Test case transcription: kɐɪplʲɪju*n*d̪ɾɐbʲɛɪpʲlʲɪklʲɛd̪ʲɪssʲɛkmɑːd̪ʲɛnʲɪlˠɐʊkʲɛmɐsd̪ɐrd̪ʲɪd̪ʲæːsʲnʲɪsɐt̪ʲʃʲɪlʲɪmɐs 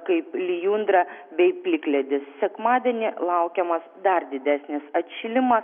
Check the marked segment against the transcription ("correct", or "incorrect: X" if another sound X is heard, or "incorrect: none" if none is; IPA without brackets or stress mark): correct